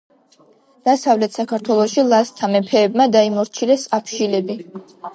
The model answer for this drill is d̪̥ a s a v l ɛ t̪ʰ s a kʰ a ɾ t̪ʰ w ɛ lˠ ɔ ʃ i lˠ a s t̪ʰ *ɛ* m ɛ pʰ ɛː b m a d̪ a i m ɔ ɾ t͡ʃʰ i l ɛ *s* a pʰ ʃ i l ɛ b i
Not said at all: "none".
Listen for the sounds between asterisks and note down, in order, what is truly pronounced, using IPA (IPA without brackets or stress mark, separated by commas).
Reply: a, s